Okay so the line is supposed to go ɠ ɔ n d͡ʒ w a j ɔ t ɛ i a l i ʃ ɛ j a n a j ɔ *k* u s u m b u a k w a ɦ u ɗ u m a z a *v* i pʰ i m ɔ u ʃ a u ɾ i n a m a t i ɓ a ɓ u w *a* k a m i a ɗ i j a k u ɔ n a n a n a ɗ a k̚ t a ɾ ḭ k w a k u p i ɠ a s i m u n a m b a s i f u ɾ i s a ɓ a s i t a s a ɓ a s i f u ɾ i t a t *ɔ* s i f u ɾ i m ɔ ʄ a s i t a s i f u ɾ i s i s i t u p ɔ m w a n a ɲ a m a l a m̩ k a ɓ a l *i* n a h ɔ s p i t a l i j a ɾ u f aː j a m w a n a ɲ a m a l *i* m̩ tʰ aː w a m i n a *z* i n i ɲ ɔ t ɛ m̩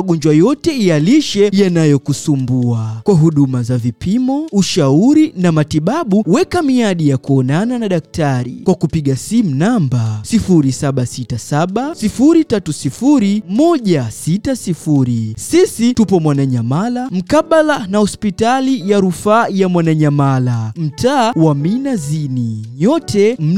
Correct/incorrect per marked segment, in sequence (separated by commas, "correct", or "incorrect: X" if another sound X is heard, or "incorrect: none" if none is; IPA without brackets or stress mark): correct, correct, incorrect: ɛ, incorrect: u, incorrect: a, incorrect: a, correct